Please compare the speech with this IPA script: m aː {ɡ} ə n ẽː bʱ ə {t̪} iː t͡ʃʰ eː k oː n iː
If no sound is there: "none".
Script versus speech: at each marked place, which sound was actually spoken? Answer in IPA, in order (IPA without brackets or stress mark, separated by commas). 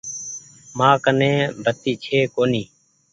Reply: k, t̪